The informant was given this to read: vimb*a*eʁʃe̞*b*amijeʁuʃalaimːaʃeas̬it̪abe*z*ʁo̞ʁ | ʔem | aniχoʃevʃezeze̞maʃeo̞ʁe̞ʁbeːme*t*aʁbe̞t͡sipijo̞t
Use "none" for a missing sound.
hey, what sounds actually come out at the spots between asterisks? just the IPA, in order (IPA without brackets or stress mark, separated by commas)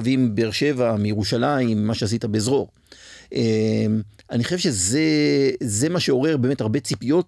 e, v, z, t